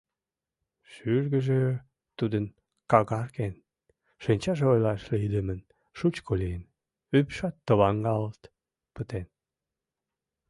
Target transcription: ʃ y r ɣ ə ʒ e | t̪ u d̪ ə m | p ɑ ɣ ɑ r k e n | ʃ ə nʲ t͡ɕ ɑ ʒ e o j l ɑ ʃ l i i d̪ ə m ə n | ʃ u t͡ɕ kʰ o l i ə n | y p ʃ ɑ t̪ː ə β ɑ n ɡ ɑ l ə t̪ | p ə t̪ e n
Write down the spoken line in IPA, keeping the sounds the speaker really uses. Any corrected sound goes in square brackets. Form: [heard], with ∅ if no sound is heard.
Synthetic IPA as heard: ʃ y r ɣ ə ʒ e | t̪ u d̪ ə [n] | [k] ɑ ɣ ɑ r k e n | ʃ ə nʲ t͡ɕ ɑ ʒ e o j l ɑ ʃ l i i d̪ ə m ə n | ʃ u t͡ɕ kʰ o l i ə n | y p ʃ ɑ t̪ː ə β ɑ [ŋ] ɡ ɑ l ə t̪ | p ə t̪ e n